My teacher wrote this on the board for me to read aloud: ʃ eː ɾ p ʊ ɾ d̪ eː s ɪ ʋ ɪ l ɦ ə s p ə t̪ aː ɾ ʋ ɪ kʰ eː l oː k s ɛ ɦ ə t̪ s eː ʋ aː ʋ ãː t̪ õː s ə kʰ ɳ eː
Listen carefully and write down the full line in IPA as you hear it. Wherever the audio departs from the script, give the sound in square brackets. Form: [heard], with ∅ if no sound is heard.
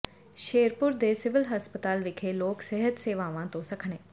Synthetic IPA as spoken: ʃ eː ɾ p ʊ ɾ d̪ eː s ɪ ʋ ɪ l ɦ ə s p ə t̪ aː [l] ʋ ɪ kʰ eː l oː k s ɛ ɦ ə t̪ s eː ʋ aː ʋ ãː t̪ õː s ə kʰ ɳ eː